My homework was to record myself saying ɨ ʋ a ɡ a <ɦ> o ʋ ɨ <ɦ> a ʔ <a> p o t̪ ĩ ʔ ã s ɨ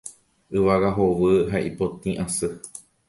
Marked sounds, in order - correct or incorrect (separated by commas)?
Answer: correct, correct, incorrect